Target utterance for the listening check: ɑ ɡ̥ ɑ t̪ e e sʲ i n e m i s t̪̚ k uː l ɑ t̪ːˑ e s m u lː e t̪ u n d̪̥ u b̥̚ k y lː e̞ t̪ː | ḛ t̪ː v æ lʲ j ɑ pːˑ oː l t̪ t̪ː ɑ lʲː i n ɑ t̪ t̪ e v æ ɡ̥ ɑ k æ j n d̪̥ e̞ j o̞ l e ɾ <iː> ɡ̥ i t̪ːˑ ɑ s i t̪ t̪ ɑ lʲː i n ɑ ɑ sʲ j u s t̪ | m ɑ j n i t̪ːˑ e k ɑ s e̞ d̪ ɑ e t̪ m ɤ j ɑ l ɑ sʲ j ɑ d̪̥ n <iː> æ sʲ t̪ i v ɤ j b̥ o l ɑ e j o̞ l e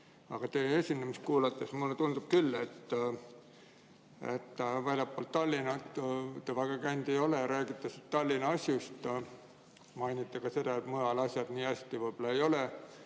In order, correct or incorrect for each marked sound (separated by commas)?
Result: incorrect, correct